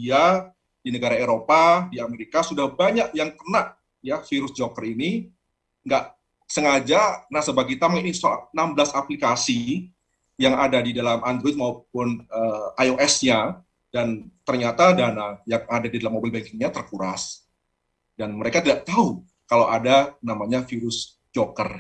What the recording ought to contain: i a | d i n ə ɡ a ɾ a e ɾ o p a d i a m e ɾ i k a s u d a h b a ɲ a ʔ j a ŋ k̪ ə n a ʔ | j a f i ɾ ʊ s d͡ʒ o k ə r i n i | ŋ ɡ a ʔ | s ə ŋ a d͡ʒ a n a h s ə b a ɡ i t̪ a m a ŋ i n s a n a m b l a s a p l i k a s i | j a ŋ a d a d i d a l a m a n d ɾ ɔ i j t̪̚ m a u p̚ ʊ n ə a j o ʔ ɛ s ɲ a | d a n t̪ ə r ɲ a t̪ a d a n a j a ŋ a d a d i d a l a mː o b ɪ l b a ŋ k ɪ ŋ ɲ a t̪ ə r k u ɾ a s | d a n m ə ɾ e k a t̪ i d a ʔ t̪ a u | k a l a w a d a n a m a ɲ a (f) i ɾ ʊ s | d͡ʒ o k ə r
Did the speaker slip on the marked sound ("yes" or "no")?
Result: no